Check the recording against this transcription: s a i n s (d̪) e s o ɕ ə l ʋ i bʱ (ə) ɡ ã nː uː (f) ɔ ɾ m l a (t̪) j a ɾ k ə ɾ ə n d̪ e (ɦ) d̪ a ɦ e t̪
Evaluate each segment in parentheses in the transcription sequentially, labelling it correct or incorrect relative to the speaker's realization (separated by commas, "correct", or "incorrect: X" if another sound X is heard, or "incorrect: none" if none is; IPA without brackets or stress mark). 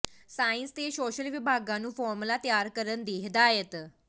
incorrect: t̪, incorrect: a, correct, correct, correct